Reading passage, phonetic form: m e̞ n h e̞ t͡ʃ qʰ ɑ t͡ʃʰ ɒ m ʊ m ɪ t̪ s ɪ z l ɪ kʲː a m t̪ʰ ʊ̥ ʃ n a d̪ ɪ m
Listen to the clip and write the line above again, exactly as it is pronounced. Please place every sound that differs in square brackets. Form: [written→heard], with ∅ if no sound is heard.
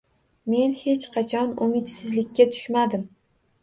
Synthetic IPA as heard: m e̞ n h e̞ t͡ʃ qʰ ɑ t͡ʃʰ ɒ [m→n] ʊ m ɪ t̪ s ɪ z l ɪ kʲː a [m→∅] t̪ʰ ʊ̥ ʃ [n→m] a d̪ ɪ m